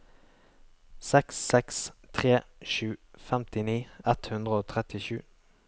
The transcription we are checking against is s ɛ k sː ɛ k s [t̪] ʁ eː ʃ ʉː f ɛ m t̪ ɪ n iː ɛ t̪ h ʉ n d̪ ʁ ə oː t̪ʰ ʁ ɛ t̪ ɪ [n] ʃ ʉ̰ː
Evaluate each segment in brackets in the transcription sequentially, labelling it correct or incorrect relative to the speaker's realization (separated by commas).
incorrect, incorrect